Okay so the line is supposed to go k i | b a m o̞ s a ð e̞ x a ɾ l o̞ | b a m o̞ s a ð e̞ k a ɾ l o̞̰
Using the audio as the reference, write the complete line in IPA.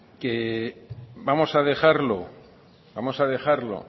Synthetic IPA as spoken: k e | b a m o̞ s a ð e̞ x a ɾ l o̞ | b a m o̞ s a ð e̞ x a ɾ l o̞̰